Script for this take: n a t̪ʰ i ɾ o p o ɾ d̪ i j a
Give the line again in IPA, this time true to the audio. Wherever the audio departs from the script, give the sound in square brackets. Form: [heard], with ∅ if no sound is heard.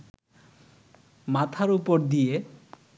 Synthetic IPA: [m] a t̪ʰ [a] ɾ [u] p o ɾ d̪ i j [e]